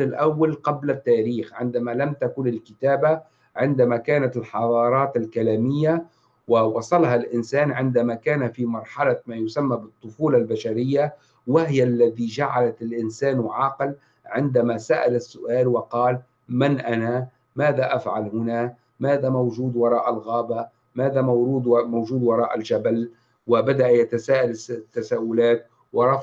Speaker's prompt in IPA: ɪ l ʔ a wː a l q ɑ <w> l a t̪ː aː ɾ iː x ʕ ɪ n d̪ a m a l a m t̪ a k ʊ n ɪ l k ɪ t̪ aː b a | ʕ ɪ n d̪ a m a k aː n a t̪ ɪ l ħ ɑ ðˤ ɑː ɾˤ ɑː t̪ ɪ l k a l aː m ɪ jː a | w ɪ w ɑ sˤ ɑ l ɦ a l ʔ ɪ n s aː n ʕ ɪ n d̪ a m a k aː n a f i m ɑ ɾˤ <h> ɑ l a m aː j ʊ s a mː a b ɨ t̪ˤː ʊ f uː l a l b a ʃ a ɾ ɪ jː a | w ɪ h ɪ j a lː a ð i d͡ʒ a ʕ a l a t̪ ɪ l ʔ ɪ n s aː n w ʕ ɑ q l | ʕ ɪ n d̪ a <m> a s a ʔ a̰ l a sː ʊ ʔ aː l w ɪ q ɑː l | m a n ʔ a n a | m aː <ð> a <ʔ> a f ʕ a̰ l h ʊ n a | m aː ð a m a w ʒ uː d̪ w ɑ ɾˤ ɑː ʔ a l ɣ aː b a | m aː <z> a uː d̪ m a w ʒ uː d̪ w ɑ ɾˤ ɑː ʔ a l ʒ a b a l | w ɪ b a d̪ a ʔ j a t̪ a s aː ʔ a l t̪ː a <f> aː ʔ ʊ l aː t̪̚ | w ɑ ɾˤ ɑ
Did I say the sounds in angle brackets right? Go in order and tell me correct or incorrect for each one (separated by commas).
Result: incorrect, incorrect, correct, correct, correct, incorrect, incorrect